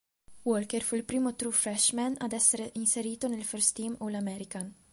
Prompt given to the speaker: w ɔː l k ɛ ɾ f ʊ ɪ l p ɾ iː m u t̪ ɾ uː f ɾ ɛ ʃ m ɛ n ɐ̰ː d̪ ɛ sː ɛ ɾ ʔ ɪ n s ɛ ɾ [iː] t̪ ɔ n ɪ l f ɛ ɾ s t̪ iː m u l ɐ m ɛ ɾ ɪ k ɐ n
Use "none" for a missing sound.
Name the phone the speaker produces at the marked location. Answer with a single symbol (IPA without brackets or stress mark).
iː